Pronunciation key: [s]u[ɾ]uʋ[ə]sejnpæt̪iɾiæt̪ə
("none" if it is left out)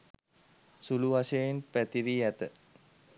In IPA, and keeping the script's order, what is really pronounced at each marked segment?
s, l, a

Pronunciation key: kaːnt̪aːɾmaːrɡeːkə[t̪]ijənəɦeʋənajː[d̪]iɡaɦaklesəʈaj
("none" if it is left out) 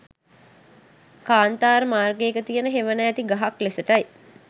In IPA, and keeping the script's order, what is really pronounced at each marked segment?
t̪, t̪

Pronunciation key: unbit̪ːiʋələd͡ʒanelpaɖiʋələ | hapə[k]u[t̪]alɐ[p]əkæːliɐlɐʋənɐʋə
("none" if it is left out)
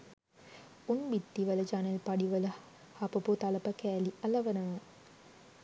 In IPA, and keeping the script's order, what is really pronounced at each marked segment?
p, t̪, p

